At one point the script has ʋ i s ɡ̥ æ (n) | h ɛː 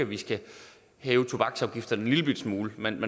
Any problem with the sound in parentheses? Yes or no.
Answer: yes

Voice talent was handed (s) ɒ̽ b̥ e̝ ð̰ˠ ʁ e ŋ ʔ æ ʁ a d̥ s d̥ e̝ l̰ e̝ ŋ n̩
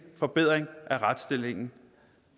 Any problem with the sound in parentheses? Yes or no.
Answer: yes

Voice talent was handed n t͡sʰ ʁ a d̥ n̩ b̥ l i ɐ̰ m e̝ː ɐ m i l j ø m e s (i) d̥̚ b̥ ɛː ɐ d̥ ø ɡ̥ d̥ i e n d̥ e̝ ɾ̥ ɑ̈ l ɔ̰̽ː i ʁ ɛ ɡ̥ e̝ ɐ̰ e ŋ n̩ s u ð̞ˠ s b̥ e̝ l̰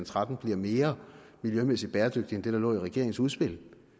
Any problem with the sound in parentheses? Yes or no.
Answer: no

